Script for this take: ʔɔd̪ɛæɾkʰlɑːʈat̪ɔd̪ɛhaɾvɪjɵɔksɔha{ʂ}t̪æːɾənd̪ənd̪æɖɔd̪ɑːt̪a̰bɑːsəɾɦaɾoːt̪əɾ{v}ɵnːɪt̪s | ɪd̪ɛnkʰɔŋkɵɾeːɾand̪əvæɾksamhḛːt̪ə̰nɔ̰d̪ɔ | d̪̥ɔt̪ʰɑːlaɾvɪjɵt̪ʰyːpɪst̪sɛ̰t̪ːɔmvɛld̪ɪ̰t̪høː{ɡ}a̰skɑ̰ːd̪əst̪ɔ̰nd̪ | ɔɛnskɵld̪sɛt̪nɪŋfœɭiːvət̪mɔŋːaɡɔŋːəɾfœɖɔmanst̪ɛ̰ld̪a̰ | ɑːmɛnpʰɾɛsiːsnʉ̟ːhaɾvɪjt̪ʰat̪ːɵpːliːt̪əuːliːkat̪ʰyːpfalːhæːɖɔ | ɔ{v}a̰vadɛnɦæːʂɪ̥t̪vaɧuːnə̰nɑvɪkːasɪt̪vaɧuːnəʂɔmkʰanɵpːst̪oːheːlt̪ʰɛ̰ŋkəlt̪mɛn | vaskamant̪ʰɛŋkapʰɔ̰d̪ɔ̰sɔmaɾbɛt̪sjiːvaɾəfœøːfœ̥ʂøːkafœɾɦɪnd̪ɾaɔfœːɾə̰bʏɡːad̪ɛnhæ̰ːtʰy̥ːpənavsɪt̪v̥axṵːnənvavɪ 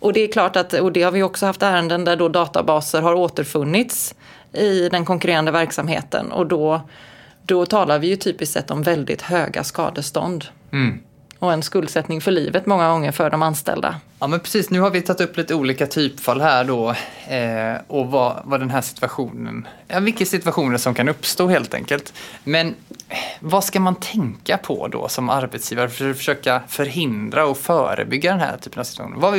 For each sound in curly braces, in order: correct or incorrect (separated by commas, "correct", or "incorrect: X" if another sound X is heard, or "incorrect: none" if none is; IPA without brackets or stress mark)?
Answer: incorrect: f, incorrect: f, correct, correct